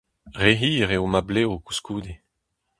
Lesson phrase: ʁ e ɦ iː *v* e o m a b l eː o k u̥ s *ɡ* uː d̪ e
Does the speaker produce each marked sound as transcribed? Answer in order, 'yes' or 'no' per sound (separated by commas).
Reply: no, no